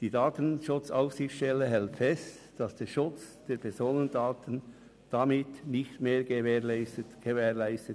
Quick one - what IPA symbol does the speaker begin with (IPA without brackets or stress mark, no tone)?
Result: d̥